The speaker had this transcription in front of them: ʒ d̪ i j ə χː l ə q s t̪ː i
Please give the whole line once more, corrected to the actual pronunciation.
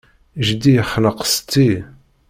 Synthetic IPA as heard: ʒ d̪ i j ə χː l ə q s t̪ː i